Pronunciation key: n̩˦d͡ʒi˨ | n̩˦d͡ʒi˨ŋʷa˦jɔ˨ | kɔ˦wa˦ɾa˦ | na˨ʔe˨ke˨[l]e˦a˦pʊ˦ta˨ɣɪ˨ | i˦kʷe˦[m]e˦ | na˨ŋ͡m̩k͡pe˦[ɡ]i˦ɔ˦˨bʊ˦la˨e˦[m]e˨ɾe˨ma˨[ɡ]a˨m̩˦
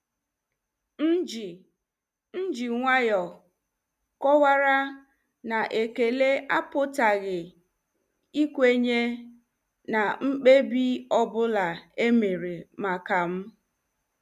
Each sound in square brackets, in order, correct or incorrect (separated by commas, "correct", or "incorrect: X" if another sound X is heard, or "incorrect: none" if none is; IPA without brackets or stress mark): correct, incorrect: ɲ, incorrect: b, correct, incorrect: k